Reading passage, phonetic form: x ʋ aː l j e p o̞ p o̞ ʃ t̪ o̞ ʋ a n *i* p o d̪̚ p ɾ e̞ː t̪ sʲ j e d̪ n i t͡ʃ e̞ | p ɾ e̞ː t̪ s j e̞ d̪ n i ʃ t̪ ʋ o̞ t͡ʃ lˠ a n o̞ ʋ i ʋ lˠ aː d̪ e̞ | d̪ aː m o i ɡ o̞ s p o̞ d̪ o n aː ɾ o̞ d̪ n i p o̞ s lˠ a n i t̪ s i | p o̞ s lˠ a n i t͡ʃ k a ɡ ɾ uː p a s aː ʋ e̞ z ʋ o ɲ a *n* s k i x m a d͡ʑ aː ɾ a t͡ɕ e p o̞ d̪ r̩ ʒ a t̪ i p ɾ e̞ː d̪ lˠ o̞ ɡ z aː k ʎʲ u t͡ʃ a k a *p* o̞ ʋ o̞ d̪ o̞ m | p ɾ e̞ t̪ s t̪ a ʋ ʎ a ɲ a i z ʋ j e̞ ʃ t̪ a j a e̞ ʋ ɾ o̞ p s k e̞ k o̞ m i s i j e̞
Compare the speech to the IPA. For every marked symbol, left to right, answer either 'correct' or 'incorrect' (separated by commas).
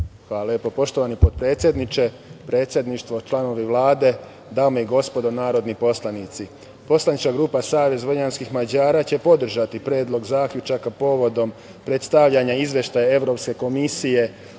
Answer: correct, correct, correct